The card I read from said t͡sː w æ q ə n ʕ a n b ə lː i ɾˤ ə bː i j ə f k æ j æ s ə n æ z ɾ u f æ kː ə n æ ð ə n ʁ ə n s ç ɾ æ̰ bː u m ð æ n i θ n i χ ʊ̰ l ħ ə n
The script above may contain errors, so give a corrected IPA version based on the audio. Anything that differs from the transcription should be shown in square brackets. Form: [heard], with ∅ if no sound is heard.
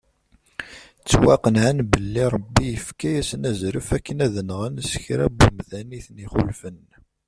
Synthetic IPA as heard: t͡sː w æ q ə n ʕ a n b ə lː i ɾˤ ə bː i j ə f k æ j æ s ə n æ z ɾ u f æ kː ə n æ ð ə n ʁ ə n s ç ɾ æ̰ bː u m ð æ n i θ n i χ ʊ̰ l [f] ə n